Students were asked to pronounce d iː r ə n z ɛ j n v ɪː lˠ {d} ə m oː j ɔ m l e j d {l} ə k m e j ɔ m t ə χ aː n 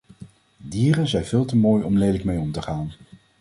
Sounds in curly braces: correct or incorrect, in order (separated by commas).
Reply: incorrect, correct